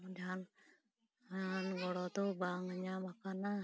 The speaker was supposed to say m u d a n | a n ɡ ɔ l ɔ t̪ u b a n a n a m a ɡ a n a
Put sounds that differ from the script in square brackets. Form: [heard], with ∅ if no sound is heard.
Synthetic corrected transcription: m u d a n | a n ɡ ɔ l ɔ t̪ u b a [ŋ] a [ɲ] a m a [k] a n a